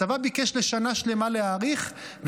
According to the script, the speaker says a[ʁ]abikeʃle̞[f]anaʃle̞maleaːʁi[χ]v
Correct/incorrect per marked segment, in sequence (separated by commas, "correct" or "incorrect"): incorrect, incorrect, correct